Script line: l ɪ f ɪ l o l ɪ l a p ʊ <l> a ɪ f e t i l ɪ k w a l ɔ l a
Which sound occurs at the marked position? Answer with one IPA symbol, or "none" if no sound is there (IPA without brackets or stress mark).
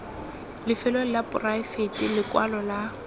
r